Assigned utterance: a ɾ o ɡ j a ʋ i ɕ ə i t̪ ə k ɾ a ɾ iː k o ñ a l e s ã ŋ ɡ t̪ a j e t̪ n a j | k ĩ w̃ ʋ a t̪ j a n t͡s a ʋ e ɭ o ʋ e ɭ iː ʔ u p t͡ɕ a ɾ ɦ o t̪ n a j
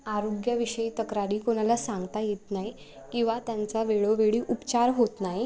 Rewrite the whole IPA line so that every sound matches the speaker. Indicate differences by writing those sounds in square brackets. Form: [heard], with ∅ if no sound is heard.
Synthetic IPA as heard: a ɾ o ɡ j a ʋ i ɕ ə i t̪ ə k ɾ a ɾ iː k o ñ a l [a] s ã ŋ ɡ t̪ a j e t̪ n a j | k ĩ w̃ ʋ a t̪ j a n t͡s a ʋ e ɭ o ʋ e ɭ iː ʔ u p t͡ɕ a ɾ ɦ o t̪ n a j